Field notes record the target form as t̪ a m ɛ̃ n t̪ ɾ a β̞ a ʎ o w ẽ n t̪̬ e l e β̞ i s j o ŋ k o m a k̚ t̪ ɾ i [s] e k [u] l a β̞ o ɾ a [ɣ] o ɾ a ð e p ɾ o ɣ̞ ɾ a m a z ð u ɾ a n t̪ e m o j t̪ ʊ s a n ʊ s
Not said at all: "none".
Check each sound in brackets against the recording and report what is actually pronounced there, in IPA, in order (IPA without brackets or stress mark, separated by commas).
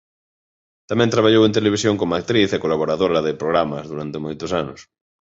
θ, o, ð